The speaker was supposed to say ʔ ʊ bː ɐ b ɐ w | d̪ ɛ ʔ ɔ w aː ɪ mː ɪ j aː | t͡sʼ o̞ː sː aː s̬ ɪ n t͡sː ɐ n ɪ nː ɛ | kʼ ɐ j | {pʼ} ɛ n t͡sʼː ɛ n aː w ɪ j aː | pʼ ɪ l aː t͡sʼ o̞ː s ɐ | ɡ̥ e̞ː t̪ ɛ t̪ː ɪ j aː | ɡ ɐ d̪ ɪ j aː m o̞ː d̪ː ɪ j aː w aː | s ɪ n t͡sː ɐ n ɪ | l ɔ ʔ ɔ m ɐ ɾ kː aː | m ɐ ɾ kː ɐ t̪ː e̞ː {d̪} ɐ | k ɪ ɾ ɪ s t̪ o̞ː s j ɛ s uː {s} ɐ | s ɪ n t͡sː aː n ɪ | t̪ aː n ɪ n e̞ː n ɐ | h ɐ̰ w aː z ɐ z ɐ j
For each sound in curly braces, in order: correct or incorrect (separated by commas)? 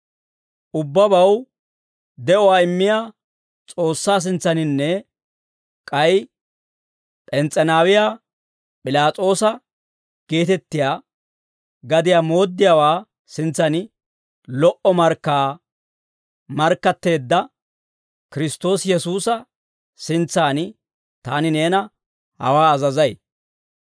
correct, incorrect, correct